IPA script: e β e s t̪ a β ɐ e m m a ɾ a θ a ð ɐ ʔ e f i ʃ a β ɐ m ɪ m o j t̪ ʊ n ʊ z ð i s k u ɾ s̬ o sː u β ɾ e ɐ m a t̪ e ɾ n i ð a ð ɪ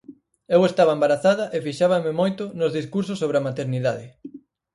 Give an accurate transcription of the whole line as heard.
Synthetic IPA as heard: e w e s t̪ a β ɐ e m b a ɾ a θ a ð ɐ ʔ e f i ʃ a β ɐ m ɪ m o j t̪ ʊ n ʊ z ð i s k u ɾ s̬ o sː o β ɾ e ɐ m a t̪ e ɾ n i ð a ð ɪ